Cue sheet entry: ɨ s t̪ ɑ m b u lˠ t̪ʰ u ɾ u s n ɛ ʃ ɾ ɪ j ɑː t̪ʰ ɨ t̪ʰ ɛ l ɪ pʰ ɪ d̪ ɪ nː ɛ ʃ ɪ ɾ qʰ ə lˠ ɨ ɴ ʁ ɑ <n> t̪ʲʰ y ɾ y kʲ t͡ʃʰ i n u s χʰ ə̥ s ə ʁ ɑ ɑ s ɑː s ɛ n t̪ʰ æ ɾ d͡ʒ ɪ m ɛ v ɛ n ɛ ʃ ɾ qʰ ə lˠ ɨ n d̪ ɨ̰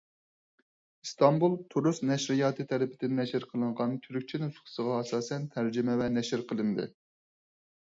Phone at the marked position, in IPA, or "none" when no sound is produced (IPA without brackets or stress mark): n